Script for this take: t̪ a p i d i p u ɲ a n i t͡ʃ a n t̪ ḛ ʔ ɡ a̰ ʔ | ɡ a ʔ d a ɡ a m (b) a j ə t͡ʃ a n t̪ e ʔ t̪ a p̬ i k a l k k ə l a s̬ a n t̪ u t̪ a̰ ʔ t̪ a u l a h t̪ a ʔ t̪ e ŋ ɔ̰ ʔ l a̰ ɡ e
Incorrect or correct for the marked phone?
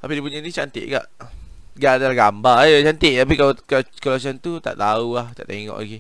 correct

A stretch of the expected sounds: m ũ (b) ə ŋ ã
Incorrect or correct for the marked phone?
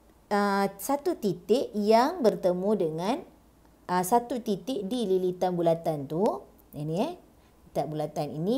incorrect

